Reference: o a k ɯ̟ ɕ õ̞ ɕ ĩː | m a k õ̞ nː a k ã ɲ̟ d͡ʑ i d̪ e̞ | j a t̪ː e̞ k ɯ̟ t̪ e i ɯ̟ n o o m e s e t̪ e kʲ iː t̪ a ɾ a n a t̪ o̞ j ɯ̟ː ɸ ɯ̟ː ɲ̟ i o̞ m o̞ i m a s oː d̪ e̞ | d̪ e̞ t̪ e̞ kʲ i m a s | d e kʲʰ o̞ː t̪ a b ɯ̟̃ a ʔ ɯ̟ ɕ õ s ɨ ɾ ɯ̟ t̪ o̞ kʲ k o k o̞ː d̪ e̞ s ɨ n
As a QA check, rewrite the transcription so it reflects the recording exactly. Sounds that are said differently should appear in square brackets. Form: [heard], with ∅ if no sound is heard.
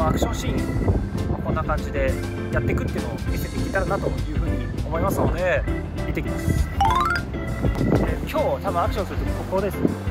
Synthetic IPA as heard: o a k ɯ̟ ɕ õ̞ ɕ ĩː | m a k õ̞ nː a k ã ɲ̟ d͡ʑ i d̪ e̞ | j a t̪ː e̞ k ɯ̟ t̪ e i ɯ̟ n o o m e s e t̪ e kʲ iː t̪ a ɾ a n a t̪ o̞ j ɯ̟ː ɸ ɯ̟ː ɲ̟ i o̞ m o̞ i m a s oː d̪ e̞ | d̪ e̞ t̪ e̞ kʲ i m a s | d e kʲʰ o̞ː t̪ a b ɯ̟̃ a [k] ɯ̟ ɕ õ s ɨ ɾ ɯ̟ t̪ o̞ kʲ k o k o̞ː d̪ e̞ s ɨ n